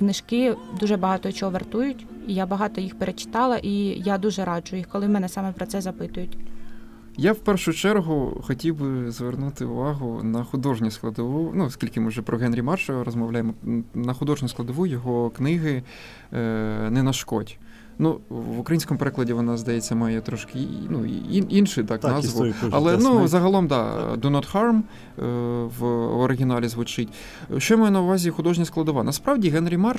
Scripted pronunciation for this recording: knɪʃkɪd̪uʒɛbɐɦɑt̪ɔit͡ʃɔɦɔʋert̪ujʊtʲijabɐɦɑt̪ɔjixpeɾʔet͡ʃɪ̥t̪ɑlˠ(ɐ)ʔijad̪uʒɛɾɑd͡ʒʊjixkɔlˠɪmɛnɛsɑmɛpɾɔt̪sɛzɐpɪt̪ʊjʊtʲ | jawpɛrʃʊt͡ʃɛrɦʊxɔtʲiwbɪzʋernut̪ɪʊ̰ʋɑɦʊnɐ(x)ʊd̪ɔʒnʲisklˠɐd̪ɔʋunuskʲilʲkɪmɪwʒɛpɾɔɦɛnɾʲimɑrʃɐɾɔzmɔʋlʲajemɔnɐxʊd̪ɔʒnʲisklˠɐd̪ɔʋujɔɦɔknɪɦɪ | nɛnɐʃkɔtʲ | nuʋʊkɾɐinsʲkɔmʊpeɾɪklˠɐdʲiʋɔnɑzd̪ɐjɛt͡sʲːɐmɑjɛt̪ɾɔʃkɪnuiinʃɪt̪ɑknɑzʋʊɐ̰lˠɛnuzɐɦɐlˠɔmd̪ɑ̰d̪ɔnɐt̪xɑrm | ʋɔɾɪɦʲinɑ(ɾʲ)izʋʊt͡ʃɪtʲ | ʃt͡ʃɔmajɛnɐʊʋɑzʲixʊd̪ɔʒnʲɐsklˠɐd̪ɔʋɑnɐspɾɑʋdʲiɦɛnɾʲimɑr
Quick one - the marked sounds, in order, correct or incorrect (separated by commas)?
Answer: correct, correct, incorrect